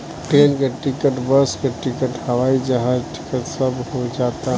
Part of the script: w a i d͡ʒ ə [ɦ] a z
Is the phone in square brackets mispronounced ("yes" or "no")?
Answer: no